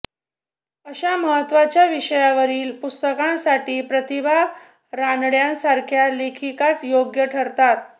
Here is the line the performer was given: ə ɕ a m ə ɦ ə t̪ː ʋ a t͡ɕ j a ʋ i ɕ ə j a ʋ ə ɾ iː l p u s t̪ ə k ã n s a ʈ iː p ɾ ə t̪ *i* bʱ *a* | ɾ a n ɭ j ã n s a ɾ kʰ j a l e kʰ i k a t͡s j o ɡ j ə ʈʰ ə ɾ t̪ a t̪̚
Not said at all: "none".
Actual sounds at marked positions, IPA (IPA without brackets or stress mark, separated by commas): i, a